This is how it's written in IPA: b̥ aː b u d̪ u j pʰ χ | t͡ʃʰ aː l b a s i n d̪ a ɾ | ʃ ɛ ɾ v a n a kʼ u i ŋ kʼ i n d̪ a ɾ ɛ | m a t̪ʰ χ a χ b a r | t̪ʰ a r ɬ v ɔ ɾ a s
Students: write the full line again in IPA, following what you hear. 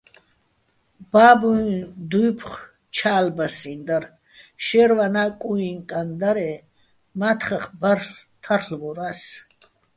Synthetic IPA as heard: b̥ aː b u d̪ u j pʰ χ | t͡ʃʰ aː l b a s i n d̪ a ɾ | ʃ ɛ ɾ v a n a kʼ u i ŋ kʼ a n d̪ a ɾ ɛ | m a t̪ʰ χ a χ b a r | t̪ʰ a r ɬ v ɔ ɾ a s